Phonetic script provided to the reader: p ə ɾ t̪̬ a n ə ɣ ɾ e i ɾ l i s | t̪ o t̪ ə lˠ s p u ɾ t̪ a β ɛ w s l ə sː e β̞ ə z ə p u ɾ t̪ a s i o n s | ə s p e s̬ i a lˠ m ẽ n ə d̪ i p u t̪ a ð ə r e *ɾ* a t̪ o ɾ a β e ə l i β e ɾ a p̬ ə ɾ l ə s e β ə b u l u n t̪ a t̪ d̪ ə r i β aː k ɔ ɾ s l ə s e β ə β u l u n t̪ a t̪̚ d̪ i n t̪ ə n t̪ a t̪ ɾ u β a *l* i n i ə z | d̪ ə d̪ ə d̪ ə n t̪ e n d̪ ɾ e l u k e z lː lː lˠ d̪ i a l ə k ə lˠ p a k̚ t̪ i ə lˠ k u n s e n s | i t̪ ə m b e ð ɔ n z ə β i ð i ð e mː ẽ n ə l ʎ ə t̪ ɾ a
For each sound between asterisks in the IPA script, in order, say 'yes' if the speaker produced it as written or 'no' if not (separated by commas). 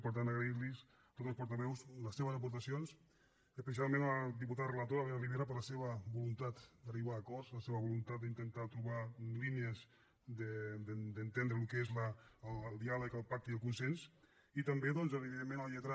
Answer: no, yes